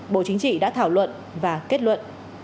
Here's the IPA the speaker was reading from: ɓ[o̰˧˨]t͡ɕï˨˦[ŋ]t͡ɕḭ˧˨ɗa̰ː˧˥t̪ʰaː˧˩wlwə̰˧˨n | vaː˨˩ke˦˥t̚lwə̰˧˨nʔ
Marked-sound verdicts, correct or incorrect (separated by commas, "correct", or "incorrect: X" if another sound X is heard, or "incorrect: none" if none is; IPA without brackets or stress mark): correct, correct